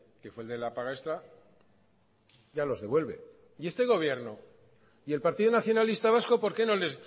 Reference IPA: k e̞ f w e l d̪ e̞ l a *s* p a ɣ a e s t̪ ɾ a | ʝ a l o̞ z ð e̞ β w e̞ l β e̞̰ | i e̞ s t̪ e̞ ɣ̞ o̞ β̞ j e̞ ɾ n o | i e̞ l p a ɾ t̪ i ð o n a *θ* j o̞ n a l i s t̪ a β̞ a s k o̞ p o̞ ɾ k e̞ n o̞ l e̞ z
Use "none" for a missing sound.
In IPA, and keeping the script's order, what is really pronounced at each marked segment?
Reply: none, θ

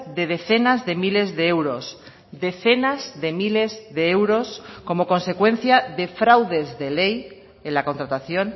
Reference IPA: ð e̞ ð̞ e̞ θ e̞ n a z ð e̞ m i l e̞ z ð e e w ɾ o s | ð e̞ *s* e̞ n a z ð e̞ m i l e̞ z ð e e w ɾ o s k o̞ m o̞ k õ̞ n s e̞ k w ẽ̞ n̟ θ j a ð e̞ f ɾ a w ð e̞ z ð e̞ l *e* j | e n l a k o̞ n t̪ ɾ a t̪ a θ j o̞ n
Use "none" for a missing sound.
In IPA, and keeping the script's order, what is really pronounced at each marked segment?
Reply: θ, e

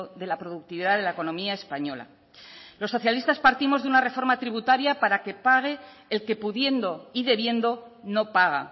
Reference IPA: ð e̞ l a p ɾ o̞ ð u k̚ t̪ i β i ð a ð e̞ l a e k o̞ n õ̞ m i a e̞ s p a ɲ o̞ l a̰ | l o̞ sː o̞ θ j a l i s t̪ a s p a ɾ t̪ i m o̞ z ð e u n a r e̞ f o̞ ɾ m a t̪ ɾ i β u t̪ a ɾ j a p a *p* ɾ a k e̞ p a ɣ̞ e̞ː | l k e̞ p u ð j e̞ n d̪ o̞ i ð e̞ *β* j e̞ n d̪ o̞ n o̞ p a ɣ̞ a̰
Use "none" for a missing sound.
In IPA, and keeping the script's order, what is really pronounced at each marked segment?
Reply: none, β

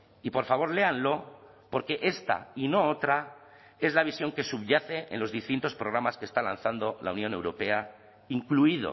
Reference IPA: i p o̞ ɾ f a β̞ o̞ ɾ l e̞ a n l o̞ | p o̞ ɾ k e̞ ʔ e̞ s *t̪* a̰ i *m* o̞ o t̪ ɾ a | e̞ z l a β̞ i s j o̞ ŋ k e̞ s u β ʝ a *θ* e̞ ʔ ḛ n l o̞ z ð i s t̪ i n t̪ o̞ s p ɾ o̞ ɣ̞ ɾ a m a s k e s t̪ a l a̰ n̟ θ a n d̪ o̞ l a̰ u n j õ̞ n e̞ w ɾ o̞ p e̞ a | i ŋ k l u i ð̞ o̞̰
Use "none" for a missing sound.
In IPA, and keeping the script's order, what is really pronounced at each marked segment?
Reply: t̪, n, θ

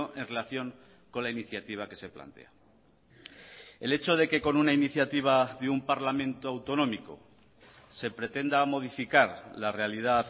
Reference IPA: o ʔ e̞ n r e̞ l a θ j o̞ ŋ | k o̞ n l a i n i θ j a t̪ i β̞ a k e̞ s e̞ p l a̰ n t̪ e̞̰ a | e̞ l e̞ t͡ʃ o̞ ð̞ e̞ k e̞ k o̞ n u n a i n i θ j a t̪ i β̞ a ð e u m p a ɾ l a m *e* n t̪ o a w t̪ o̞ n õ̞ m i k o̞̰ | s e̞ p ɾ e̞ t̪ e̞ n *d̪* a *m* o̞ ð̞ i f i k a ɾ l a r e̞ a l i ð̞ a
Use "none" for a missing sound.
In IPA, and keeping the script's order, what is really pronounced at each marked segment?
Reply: ẽ, d̪, m

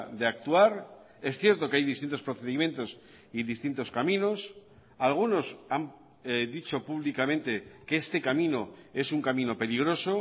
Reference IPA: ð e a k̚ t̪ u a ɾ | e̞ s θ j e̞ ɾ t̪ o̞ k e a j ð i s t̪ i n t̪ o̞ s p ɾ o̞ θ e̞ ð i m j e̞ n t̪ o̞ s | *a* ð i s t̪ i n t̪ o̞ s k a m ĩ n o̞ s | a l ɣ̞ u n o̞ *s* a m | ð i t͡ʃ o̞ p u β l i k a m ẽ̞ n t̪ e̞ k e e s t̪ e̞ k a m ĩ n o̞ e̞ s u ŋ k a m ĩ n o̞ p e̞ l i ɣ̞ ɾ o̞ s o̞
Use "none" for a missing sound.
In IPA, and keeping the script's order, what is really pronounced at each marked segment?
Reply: i, s

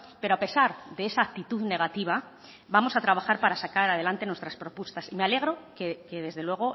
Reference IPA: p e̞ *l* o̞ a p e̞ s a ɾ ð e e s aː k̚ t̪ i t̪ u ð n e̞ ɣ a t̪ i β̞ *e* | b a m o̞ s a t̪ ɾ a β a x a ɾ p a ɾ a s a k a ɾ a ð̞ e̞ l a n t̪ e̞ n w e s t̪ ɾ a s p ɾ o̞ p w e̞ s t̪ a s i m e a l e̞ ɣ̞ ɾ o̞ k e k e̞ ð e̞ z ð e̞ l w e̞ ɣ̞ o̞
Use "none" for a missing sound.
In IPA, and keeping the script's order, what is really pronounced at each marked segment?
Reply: ɾ, a

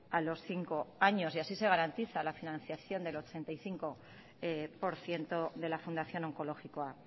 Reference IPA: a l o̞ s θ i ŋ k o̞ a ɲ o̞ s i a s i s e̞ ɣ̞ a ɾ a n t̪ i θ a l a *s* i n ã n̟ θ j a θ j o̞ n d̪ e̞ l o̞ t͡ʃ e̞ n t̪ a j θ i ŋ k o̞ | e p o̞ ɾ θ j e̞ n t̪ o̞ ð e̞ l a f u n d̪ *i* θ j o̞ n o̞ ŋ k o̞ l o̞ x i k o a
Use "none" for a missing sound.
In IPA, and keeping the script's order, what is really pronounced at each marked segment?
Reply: f, a

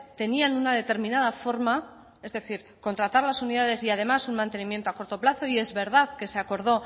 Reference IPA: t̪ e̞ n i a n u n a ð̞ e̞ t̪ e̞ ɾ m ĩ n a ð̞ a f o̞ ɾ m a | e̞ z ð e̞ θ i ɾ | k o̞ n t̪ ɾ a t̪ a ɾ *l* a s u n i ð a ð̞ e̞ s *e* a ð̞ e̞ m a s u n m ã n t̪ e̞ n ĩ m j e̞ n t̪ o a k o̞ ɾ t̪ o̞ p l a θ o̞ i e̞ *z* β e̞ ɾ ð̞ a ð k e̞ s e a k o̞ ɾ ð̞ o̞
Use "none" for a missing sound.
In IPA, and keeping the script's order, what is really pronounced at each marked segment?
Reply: l, i, z

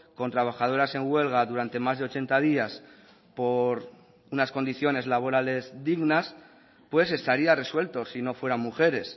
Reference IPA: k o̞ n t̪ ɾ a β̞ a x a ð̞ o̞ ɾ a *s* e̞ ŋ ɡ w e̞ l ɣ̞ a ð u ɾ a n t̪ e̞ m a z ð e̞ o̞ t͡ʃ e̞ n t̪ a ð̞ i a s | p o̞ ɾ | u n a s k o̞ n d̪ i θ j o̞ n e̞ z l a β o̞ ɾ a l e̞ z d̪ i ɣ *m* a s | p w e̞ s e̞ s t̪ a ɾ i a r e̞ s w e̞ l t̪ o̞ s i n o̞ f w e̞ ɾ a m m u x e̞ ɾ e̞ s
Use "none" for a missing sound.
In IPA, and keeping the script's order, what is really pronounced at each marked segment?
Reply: s, n

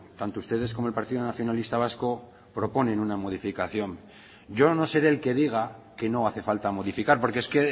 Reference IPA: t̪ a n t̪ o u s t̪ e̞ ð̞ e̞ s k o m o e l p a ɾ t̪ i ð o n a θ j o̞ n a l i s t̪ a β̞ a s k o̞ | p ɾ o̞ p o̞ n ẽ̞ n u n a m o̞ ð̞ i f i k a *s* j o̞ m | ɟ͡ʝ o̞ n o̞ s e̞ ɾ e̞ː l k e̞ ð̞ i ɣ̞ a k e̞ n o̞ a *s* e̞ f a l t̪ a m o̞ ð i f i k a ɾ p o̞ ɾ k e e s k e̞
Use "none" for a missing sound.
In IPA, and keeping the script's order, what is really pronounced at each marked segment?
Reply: θ, θ

